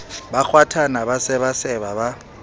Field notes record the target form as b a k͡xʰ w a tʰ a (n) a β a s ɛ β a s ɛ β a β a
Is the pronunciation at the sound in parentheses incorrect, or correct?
correct